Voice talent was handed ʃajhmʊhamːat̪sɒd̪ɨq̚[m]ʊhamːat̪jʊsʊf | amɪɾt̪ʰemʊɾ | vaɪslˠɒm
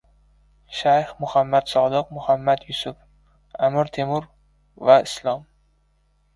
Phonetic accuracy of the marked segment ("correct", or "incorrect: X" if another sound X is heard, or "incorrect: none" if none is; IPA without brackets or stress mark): correct